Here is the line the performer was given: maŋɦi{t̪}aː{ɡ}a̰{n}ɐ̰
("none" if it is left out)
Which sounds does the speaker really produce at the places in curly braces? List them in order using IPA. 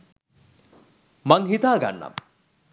t̪, ɡ, nː

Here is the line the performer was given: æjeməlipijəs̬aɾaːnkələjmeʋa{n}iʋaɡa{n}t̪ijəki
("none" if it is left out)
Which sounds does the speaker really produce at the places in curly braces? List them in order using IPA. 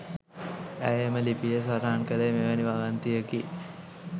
n, n

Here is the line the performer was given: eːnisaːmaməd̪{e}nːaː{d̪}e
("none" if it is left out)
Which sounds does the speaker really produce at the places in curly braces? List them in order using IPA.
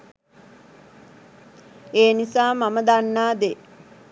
a, d̪

